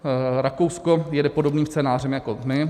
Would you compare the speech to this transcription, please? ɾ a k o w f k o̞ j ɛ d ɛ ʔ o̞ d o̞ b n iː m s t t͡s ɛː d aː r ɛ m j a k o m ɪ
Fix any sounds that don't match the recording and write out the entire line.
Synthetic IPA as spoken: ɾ a k o w s k o̞ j ɛ d ɛ p o̞ d o̞ b n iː m s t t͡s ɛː n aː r ɛ m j a k o m ɪ